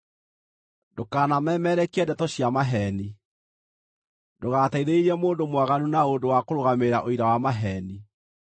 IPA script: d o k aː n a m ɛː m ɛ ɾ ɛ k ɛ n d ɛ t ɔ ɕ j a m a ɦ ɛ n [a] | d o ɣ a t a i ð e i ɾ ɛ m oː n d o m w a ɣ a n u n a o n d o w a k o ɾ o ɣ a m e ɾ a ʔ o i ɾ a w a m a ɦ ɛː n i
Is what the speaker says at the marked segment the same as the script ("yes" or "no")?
no